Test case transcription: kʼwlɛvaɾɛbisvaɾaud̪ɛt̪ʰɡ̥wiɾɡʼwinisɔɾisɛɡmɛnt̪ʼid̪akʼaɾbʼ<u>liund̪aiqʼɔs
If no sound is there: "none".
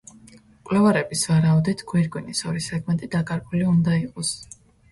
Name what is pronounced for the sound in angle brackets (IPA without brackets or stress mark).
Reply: u